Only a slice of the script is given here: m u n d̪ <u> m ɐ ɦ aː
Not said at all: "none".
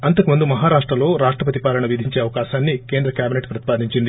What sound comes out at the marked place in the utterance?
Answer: u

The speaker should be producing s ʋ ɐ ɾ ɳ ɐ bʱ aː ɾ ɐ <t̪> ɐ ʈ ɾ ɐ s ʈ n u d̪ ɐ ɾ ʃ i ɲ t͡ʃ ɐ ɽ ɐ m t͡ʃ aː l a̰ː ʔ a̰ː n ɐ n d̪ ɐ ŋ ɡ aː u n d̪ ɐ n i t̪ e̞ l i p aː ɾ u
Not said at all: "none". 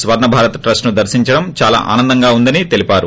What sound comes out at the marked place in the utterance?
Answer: t̪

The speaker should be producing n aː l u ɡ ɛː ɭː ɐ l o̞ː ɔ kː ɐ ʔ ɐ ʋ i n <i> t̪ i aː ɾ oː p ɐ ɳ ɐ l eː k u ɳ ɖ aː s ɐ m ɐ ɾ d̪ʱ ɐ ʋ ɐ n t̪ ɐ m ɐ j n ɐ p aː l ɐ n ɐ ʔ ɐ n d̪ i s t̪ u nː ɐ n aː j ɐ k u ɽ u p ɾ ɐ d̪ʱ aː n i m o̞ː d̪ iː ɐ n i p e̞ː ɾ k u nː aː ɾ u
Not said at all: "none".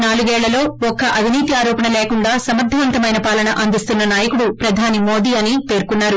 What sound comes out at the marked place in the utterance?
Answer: iː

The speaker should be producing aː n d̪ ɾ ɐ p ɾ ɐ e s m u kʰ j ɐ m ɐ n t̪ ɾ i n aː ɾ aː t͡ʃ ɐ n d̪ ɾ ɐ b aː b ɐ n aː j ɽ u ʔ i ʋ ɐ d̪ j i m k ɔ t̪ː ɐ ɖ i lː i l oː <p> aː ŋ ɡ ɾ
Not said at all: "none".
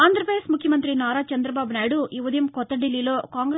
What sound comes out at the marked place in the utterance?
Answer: k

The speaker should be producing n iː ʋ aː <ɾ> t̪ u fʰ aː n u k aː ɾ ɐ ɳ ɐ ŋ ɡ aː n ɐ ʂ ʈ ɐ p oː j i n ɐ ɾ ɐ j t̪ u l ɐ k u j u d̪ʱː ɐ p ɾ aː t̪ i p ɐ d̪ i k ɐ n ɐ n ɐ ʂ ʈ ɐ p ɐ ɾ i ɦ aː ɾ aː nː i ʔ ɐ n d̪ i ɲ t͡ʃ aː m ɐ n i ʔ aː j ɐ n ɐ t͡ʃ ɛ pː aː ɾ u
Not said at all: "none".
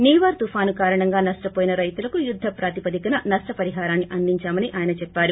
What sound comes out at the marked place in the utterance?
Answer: ɾ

